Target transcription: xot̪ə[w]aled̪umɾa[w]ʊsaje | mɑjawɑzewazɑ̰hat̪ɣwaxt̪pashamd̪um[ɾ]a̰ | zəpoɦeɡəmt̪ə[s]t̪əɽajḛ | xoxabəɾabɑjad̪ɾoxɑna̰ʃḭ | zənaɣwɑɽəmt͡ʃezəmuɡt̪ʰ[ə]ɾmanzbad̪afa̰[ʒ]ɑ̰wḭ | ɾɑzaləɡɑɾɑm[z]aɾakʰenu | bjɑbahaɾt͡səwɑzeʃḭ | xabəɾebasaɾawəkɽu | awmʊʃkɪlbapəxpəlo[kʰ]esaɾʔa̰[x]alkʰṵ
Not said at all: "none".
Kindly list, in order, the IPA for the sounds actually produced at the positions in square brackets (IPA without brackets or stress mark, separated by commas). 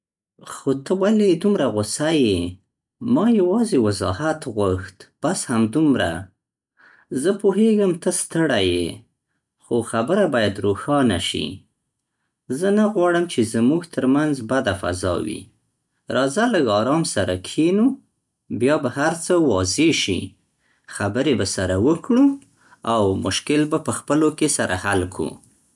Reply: w, ɣ, ɾ, s, ə, z, s, k, h